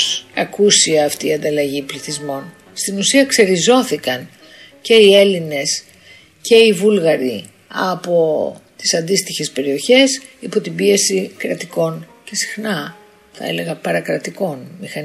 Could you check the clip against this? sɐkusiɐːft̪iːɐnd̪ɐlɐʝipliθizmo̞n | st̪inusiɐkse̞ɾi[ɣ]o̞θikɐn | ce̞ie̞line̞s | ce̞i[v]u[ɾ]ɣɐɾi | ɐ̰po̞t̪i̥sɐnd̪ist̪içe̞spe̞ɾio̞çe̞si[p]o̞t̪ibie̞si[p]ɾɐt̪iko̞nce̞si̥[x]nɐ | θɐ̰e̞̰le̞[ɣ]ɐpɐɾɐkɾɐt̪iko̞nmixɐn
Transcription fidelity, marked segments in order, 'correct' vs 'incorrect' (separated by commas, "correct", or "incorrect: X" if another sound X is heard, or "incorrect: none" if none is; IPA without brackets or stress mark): incorrect: z, correct, incorrect: l, correct, incorrect: k, correct, correct